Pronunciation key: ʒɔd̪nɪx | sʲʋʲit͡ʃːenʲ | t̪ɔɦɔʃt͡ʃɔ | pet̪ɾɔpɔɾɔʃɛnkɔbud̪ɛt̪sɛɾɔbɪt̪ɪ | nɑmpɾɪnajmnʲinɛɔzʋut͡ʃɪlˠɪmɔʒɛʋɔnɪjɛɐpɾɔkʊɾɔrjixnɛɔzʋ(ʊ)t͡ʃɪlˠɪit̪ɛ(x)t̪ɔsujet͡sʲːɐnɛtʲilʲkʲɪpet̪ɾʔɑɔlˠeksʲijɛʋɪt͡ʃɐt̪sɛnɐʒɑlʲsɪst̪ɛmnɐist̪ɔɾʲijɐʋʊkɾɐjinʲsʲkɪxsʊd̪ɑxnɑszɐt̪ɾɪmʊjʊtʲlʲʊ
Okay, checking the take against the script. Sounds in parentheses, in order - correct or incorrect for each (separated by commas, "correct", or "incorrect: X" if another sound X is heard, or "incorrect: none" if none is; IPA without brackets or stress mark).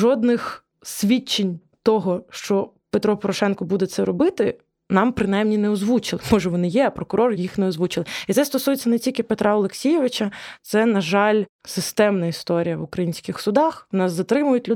incorrect: u, incorrect: s